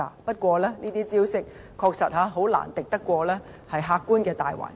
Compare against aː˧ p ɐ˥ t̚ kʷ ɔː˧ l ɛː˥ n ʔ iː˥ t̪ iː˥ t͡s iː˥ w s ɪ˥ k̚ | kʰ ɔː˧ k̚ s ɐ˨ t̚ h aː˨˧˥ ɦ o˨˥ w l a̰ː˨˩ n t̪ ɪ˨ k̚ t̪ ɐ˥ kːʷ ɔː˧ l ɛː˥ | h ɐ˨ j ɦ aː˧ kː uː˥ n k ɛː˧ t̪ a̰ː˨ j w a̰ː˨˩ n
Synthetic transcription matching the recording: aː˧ p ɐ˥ t̚ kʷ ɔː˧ l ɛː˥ n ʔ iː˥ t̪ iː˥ t͡s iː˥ w s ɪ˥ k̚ | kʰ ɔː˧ k̚ s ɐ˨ t̚ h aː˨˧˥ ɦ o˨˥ w l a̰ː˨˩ n t̪ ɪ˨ k̚ t̪ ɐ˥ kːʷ ɔː˧ l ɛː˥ | h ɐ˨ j ɦ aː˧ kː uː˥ n k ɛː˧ t̪ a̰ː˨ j w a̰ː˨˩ n